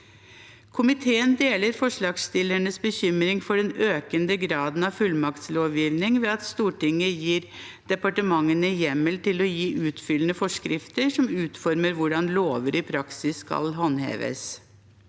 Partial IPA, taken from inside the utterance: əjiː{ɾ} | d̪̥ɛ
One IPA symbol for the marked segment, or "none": ɾ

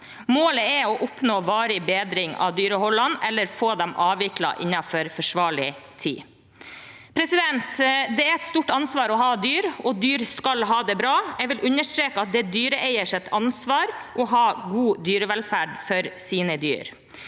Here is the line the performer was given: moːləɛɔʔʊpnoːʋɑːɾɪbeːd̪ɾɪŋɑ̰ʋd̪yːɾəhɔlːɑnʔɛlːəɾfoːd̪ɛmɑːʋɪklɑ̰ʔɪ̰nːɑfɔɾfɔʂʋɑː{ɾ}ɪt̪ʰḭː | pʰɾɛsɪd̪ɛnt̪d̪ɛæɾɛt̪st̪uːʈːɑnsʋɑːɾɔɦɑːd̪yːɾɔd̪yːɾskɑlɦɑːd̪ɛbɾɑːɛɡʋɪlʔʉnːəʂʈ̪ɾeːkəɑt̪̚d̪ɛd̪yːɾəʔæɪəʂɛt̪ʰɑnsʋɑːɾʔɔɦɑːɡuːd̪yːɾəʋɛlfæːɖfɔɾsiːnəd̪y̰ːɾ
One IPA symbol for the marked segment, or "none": ɭ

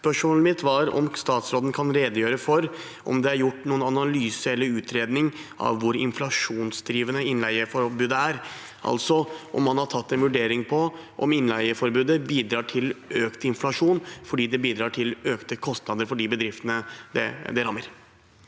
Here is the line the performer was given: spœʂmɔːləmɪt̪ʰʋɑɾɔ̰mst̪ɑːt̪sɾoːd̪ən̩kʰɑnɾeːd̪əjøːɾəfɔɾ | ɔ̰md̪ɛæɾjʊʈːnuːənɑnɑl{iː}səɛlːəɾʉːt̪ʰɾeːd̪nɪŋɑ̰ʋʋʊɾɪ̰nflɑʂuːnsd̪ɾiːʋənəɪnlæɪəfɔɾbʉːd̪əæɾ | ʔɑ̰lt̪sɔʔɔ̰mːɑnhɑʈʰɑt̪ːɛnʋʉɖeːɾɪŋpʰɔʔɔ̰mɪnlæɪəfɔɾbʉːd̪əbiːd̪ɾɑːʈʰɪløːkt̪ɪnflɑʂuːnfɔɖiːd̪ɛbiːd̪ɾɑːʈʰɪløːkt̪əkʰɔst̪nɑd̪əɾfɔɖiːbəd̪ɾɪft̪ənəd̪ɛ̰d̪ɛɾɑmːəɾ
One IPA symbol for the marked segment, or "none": yː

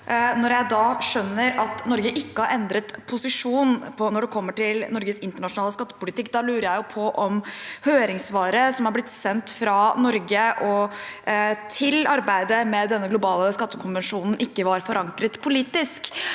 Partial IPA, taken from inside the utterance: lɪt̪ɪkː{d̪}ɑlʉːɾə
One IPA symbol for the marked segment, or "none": d̪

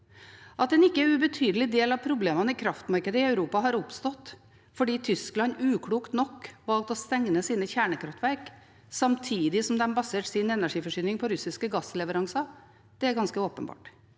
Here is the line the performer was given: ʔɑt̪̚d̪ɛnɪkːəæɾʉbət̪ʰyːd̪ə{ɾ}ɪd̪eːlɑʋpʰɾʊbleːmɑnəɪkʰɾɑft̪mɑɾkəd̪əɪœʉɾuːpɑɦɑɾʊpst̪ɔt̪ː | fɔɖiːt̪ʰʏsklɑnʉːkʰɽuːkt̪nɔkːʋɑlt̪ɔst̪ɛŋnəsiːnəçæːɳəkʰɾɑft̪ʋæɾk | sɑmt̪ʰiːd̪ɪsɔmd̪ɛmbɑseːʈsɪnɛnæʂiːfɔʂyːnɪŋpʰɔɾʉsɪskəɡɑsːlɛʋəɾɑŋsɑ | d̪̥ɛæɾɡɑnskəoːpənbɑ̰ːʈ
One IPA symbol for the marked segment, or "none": l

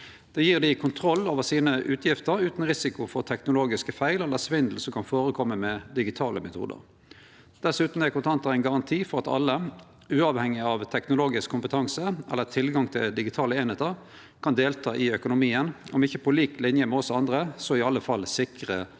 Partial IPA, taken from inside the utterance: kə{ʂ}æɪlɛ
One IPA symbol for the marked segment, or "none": f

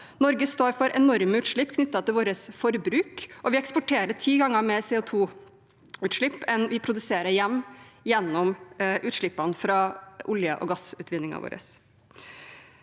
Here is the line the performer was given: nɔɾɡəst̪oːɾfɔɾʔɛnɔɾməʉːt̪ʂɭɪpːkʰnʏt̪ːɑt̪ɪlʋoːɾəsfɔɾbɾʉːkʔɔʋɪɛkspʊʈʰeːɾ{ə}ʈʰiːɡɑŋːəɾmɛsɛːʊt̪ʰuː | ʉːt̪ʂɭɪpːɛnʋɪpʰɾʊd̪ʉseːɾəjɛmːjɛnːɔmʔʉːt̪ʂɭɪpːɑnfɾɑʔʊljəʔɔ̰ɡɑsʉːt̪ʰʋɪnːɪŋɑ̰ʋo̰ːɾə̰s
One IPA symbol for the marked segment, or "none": ə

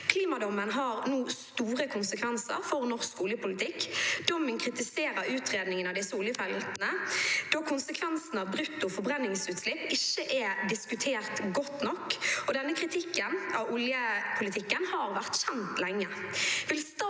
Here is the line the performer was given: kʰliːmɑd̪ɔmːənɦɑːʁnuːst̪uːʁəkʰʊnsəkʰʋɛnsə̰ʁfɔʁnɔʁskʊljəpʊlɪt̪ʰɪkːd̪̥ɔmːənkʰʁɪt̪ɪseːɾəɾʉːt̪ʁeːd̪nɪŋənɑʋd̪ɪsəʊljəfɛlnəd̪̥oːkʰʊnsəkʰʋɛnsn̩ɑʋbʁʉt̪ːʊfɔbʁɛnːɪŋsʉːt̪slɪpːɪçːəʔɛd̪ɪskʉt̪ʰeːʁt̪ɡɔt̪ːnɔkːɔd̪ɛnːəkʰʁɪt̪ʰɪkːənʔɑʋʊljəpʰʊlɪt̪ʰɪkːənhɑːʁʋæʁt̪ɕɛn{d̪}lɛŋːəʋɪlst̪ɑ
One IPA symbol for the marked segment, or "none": t̪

